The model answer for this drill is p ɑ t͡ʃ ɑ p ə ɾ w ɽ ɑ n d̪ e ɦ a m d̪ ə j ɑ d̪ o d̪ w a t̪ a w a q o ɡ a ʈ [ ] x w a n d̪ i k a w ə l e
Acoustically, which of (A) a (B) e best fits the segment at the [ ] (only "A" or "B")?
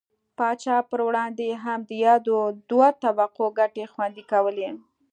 B